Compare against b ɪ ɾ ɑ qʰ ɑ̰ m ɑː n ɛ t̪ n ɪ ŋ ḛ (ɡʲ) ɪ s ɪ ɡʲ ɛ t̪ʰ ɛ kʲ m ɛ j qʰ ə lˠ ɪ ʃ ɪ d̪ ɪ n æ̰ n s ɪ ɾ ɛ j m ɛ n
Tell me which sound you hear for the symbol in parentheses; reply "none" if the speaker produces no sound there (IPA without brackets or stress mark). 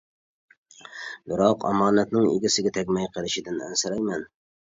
ɡʲ